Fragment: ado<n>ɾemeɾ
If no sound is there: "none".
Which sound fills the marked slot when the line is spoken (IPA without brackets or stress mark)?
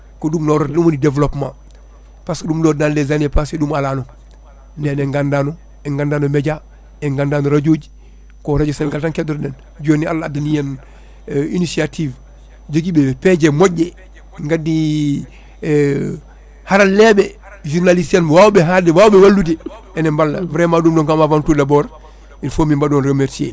n